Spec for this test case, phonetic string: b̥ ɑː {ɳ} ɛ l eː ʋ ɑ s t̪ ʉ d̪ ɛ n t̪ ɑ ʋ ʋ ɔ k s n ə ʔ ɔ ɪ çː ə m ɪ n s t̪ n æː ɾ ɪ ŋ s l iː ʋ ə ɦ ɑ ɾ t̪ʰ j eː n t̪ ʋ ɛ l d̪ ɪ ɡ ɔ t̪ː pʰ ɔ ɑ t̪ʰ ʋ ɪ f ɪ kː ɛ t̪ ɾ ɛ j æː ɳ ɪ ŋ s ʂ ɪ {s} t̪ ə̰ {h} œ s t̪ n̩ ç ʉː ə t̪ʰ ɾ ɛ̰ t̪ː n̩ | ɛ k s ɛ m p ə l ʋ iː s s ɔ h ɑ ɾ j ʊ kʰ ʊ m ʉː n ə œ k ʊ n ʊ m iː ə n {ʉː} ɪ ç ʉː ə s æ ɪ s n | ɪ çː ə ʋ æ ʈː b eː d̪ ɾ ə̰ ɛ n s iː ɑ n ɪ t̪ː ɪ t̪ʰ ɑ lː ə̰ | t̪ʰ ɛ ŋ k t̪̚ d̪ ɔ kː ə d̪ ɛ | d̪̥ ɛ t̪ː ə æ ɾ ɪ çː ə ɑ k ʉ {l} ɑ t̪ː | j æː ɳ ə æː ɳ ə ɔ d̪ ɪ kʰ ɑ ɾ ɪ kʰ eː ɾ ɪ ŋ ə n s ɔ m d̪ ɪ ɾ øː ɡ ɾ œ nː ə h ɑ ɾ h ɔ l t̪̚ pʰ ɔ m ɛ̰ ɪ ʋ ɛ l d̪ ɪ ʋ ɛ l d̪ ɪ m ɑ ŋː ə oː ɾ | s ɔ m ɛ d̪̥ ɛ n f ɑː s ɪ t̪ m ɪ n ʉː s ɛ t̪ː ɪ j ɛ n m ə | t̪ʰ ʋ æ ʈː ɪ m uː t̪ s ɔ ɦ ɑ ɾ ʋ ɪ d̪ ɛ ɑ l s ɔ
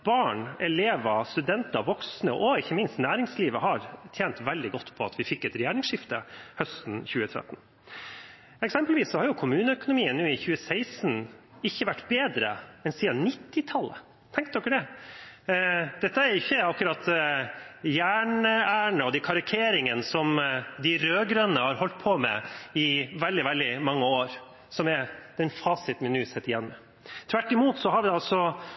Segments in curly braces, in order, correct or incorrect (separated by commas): correct, incorrect, correct, correct, incorrect